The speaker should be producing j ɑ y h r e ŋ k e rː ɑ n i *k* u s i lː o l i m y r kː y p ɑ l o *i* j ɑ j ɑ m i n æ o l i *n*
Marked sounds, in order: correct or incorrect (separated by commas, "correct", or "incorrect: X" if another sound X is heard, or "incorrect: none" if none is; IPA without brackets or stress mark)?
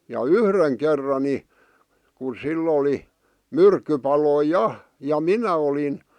correct, correct, correct